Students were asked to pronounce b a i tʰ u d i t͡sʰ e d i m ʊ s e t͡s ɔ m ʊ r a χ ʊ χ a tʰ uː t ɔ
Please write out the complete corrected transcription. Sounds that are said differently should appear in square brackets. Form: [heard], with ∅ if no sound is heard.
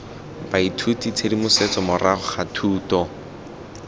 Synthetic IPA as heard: b a i tʰ u [t] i t͡sʰ e d i m ʊ s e t͡s ɔ m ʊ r a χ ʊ χ a tʰ uː t ɔ